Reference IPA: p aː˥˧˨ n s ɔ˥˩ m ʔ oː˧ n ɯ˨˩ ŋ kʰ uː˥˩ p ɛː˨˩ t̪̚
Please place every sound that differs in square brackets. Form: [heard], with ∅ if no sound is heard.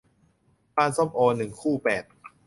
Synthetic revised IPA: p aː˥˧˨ n s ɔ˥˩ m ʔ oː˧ n ɯ˨˩ ŋ kʰ uː˥˩ p ɛː˨˩ t̪̚